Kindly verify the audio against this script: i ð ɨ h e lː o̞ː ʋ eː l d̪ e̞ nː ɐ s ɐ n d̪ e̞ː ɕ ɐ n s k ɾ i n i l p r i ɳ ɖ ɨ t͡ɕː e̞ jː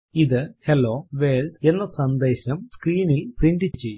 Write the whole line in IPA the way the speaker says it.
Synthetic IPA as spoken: i ð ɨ h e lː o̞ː ʋ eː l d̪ e̞ nː ɐ s ɐ n d̪ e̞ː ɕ ɐ m s k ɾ iː n i l p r i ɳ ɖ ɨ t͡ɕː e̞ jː